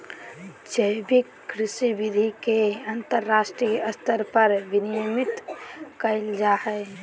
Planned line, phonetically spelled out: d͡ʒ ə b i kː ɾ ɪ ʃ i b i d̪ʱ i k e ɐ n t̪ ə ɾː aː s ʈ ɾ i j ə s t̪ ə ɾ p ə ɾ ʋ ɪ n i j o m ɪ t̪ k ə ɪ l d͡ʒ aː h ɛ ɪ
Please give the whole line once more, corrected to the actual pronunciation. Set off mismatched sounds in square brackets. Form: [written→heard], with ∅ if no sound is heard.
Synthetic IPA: d͡ʒ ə b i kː ɾ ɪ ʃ i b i d̪ʱ i k e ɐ n t̪ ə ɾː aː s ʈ ɾ i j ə s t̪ ə ɾ p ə ɾ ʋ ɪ n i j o m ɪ t̪ k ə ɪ l d͡ʒ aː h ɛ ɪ

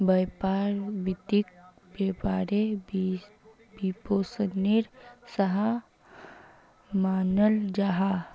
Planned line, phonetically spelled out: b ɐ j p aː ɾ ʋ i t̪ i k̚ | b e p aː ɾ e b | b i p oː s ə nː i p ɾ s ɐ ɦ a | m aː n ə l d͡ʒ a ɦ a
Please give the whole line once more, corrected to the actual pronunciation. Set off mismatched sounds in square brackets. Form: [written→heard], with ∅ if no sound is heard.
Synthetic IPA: b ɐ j p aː ɾ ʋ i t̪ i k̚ | b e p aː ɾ e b | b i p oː s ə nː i [p→∅] ɾ s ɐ ɦ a | m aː n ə l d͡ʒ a ɦ a

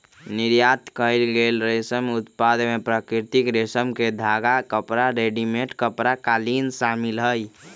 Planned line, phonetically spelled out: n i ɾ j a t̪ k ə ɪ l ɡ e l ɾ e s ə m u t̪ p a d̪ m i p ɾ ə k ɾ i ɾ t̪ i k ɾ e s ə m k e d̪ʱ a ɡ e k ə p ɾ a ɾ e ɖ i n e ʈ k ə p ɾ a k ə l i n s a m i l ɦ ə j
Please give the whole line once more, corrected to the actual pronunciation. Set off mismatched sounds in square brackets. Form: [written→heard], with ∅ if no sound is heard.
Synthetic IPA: n i ɾ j a t̪ k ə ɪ l ɡ e l ɾ e s ə m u t̪ p a d̪ m [i→e] p ɾ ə k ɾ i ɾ t̪ i k ɾ e s ə m k e d̪ʱ a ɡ [e→a] k ə p ɾ a ɾ e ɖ i [n→m] e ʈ k ə p ɾ a k [ə→a] l i n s a m i l ɦ ə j

